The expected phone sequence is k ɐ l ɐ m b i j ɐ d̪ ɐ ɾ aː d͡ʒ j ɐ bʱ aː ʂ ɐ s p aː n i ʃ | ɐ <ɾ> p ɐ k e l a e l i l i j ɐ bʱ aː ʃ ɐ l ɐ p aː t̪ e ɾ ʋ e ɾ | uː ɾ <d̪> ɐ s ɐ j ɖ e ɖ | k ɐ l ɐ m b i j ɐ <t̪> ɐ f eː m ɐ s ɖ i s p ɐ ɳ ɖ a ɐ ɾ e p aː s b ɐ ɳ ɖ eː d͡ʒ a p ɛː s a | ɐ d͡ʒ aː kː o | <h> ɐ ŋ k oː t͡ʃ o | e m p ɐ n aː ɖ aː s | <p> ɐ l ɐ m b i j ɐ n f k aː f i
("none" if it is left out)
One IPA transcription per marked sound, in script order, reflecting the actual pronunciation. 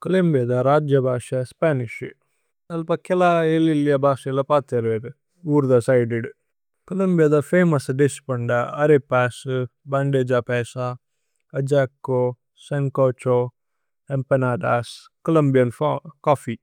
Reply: l, d̪, d̪, s, k

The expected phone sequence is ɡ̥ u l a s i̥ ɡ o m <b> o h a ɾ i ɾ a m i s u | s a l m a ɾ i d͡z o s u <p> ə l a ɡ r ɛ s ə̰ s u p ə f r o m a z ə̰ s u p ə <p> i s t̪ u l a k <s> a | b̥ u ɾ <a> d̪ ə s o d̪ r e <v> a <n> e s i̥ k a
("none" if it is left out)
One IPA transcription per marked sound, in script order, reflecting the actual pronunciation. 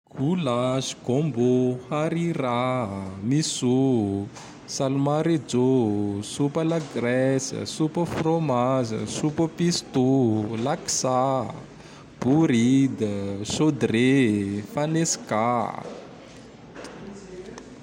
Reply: b, p, p, s, i, f, n

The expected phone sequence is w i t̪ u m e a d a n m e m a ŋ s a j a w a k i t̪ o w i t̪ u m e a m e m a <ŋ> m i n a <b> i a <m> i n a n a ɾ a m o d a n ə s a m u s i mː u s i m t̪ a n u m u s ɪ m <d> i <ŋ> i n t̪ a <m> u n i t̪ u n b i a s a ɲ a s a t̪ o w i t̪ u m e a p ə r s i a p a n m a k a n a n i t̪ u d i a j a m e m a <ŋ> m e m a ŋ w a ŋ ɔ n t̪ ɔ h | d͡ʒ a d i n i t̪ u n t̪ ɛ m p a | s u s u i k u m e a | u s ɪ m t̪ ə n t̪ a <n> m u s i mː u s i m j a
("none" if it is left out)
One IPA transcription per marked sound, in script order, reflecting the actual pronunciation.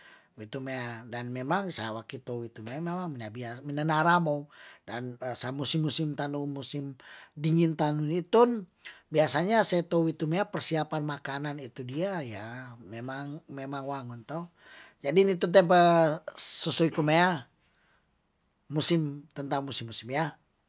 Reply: ŋ, b, m, d, ŋ, n, ŋ, ŋ

